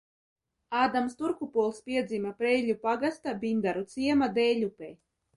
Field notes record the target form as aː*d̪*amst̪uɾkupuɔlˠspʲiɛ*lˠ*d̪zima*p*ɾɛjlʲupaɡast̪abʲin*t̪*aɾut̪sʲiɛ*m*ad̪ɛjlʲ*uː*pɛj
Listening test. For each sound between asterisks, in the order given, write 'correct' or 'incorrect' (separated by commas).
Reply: correct, incorrect, correct, incorrect, correct, incorrect